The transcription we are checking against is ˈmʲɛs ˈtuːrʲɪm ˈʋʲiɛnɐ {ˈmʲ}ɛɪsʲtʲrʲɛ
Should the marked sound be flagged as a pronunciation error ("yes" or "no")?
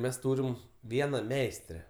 no